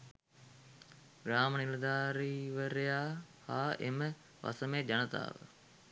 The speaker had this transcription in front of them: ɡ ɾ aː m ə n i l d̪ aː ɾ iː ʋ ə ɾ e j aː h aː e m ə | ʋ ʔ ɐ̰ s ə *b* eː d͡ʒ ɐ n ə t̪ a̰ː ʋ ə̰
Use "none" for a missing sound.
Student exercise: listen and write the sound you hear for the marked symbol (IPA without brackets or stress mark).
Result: m